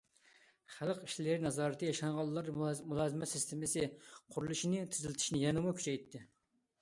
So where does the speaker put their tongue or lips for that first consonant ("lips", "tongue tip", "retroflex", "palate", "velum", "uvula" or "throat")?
uvula